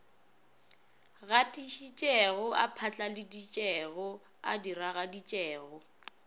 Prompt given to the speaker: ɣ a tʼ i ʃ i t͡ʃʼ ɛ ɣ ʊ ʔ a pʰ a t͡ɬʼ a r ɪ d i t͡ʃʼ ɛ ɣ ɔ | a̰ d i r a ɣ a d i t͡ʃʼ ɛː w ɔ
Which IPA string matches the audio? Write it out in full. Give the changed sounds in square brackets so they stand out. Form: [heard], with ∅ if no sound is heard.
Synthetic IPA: ɣ a tʼ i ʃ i t͡ʃʼ ɛ ɣ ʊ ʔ a pʰ a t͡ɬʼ a [l] ɪ d i t͡ʃʼ ɛ ɣ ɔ | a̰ d i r a ɣ a d i t͡ʃʼ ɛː [ɣ] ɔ